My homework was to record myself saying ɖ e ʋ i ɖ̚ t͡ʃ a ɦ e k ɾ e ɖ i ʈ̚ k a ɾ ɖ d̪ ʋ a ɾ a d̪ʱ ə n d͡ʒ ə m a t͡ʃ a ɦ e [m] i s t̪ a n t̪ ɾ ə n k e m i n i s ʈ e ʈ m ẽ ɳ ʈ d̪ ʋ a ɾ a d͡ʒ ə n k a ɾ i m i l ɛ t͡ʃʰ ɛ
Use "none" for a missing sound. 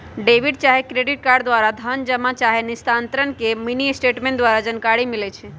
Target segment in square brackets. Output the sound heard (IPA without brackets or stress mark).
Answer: n